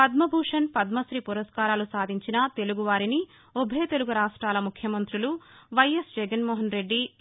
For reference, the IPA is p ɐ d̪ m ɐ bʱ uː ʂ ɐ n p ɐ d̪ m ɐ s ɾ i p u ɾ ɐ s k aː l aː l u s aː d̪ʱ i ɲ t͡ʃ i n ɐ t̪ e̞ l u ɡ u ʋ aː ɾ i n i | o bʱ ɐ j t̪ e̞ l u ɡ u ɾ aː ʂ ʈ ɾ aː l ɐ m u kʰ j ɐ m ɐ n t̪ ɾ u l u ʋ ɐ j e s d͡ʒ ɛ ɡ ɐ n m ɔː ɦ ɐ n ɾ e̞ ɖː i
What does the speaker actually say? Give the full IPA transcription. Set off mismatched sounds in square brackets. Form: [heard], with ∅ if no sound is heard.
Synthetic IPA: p ɐ d̪ m ɐ bʱ uː ʂ ɐ n p ɐ d̪ m ɐ s ɾ i p u ɾ ɐ s k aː [ɾ] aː l u s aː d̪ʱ i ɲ t͡ʃ i n ɐ t̪ e̞ l u ɡ u ʋ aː ɾ i n i | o bʱ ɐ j t̪ e̞ l u ɡ u ɾ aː ʂ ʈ ɾ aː l ɐ m u kʰ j ɐ m ɐ n t̪ ɾ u l u ʋ ɐ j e s d͡ʒ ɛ ɡ ɐ n m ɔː ɦ ɐ n ɾ e̞ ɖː i